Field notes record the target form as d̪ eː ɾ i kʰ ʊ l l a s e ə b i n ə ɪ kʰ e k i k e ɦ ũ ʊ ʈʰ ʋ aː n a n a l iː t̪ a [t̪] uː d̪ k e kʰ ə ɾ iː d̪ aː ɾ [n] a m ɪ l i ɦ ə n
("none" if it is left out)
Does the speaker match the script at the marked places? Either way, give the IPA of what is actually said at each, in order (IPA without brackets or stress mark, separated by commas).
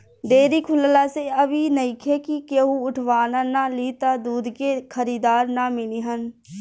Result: d̪, n